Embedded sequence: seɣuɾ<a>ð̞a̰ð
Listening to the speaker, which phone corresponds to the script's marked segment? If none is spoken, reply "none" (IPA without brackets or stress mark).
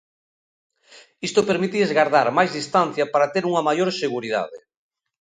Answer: i